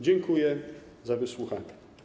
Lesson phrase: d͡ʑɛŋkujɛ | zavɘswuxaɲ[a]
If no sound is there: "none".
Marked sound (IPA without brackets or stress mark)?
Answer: ɛ